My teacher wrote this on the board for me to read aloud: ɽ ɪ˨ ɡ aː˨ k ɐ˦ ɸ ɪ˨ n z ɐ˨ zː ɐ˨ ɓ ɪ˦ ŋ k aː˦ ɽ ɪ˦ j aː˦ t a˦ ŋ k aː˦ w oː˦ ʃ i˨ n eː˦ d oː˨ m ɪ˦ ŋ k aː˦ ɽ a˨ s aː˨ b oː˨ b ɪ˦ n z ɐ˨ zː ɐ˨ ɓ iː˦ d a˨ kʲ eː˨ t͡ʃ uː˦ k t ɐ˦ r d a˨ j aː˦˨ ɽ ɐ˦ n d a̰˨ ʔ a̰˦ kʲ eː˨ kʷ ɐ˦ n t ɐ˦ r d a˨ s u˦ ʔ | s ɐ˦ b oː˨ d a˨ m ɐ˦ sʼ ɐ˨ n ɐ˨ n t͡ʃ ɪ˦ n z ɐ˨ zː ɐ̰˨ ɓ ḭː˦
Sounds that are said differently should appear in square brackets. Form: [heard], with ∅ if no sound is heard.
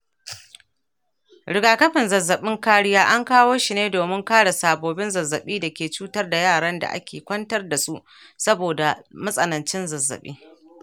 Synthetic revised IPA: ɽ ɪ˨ ɡ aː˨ k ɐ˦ ɸ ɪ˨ n z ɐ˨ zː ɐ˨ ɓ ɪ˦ ŋ k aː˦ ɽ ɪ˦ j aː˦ [ʔ] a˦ ŋ k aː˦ w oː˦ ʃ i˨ n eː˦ d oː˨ m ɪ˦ ŋ k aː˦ ɽ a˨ s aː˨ b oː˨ b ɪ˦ n z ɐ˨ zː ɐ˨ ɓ iː˦ d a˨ kʲ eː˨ t͡ʃ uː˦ [∅] t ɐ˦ r d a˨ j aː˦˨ ɽ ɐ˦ n d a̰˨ ʔ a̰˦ kʲ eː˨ kʷ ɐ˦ n t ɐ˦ r d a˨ s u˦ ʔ | s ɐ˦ b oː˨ d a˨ m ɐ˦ sʼ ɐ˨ n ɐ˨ n t͡ʃ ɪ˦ n z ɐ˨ zː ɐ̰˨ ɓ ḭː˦

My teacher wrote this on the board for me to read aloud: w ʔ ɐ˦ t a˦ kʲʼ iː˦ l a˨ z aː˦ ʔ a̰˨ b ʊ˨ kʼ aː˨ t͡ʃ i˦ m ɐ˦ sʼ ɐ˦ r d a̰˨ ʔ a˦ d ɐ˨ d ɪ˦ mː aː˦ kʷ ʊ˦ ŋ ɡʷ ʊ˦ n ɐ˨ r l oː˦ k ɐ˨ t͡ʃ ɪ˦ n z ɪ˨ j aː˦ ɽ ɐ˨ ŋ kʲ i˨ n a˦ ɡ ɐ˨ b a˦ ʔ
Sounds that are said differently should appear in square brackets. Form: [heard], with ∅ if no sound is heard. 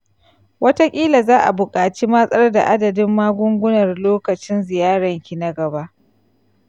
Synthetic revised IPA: w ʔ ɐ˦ t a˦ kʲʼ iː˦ l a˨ z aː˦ ʔ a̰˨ b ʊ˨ kʼ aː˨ t͡ʃ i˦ m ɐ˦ sʼ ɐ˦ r d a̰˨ ʔ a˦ d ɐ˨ d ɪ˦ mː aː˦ [ɡʷ] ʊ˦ ŋ ɡʷ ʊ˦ n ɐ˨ r l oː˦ k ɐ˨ t͡ʃ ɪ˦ n z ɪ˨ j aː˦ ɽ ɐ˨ ŋ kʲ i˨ n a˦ ɡ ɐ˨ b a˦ ʔ

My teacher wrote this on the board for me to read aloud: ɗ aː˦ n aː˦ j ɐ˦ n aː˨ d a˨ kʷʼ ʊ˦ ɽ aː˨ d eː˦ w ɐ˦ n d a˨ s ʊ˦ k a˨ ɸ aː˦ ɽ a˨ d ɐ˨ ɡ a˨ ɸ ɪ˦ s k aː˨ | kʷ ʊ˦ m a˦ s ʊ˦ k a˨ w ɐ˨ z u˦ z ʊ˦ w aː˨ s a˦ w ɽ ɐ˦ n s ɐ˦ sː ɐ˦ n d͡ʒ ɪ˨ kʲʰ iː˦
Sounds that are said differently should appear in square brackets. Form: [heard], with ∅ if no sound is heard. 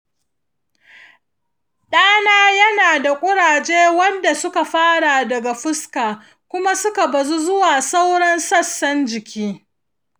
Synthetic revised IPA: ɗ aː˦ n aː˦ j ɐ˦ n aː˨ d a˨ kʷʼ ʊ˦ ɽ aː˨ [d͡ʒ] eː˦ w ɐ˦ n d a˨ s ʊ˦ k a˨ ɸ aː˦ ɽ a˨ d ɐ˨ ɡ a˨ ɸ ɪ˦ s k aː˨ | kʷ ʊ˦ m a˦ s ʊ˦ k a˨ [b] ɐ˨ z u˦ z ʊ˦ w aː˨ s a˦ w ɽ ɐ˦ n s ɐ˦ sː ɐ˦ n d͡ʒ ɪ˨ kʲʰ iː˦

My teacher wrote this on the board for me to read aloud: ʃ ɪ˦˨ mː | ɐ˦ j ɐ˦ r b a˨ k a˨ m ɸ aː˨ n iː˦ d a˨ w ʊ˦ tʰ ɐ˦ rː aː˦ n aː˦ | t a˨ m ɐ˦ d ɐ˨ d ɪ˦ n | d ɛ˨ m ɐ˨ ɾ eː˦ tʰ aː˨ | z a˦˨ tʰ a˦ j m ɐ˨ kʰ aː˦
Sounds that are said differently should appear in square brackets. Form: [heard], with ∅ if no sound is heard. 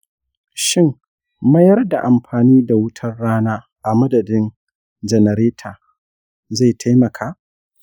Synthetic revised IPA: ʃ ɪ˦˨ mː | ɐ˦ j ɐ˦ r [d] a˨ [ʔ] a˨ m ɸ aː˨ n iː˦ d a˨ w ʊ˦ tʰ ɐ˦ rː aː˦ n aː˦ | [ʔ] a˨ m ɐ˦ d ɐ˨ d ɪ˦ n | [d͡ʒ] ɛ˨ [n] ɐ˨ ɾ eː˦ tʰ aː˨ | z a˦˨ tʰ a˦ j m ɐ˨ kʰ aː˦

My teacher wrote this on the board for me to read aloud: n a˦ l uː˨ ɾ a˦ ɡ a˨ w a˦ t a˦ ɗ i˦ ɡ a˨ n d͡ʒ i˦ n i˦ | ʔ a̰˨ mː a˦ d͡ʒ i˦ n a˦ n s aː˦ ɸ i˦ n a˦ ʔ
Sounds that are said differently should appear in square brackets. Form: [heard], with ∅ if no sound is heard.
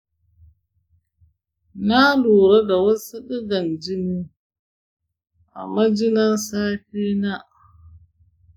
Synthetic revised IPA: n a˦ l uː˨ ɾ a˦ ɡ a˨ w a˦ [s] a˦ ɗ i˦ ɡ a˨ n d͡ʒ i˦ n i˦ | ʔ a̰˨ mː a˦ d͡ʒ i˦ n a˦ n s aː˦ ɸ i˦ n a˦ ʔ

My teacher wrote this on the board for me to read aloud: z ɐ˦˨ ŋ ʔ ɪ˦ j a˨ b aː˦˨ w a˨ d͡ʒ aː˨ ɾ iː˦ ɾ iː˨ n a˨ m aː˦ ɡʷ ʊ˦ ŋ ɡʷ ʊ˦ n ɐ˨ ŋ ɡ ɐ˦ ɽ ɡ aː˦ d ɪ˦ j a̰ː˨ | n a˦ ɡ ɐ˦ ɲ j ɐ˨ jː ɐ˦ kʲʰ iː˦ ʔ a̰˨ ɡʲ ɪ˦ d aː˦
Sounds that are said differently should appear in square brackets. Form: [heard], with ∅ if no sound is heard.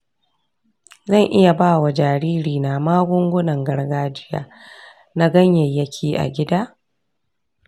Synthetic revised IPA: z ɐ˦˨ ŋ ʔ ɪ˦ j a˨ b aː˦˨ w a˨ d͡ʒ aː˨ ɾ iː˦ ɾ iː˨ n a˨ m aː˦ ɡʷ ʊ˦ ŋ ɡʷ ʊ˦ n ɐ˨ ŋ ɡ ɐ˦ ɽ ɡ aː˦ [d͡ʒ] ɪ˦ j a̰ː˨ | n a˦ ɡ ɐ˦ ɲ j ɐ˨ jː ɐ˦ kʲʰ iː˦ ʔ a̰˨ ɡʲ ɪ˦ d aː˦

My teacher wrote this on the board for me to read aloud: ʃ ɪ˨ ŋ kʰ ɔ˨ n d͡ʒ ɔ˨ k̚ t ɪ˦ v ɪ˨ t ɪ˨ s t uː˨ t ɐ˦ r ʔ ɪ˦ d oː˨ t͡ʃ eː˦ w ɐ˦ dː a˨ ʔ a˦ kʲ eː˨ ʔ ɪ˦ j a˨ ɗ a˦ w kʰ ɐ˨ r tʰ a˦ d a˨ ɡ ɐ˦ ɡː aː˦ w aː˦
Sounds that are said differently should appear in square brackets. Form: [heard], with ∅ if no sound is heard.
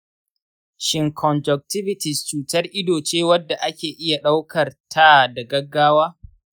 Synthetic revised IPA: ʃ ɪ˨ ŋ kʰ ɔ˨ n d͡ʒ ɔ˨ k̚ t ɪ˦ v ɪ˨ t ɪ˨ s [t͡ʃ] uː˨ t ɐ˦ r ʔ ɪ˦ d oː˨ t͡ʃ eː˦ w ɐ˦ dː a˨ ʔ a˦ kʲ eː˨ ʔ ɪ˦ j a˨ ɗ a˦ w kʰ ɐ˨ r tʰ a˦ d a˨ ɡ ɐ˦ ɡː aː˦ w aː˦

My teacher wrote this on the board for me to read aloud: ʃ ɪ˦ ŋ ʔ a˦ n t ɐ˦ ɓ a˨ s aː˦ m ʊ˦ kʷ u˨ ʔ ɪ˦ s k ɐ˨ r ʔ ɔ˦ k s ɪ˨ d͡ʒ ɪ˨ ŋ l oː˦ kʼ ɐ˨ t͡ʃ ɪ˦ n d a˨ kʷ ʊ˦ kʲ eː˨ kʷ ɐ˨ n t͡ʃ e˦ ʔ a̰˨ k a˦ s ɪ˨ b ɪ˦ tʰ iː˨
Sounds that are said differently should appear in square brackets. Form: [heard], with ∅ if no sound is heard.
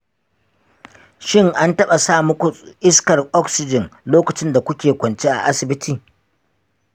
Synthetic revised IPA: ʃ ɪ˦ ŋ ʔ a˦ n t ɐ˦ ɓ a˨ s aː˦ m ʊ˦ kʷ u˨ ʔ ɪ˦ s k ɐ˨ r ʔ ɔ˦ k s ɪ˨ d͡ʒ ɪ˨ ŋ l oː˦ [k] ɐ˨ t͡ʃ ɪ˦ n d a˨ kʷ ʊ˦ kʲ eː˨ kʷ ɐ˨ n t͡ʃ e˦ ʔ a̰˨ [ʔ] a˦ s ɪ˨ b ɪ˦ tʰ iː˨

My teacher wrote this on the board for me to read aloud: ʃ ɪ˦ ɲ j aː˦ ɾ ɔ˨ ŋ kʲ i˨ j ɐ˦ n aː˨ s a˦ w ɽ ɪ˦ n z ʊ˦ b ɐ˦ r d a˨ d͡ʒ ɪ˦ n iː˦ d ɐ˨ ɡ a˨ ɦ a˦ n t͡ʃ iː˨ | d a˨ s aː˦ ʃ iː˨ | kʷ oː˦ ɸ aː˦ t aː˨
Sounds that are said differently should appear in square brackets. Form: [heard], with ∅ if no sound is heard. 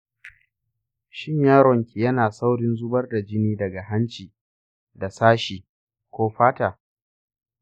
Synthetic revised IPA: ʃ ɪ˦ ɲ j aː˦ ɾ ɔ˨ ŋ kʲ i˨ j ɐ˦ n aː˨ s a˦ w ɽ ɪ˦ n z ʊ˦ b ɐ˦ r d a˨ d͡ʒ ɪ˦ n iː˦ d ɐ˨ ɡ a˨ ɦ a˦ n t͡ʃ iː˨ | d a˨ s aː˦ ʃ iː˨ | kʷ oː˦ ɸ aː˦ t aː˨

